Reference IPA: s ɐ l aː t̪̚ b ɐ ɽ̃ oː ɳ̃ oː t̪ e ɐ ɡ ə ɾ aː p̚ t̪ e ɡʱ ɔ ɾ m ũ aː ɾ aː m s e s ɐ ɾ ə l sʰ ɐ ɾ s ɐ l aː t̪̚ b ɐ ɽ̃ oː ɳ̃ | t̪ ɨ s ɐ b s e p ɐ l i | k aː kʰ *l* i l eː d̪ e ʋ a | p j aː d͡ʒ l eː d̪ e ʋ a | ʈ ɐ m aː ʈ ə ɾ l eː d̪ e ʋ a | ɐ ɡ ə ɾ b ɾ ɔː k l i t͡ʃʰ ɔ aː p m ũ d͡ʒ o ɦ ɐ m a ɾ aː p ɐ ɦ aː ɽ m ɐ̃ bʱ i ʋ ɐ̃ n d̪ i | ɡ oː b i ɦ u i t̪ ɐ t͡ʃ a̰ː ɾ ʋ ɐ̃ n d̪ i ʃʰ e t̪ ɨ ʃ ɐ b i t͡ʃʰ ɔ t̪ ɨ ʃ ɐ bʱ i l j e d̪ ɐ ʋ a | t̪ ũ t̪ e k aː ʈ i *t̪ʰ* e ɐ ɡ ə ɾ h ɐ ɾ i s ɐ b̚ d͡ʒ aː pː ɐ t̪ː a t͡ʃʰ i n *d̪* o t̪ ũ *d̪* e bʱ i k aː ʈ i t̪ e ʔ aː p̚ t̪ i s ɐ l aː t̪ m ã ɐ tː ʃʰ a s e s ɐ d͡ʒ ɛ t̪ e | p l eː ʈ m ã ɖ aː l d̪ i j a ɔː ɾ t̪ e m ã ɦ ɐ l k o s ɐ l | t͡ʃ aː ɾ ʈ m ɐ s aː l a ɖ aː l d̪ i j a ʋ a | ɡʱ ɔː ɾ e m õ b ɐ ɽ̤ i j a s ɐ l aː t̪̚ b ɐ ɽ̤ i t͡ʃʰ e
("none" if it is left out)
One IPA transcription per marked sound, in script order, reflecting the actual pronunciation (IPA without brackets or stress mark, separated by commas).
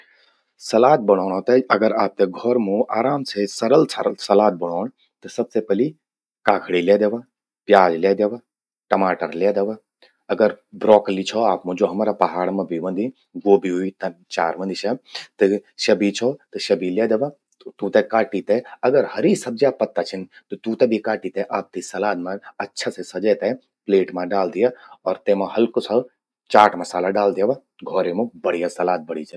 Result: ɽ, t̪, t̪, t̪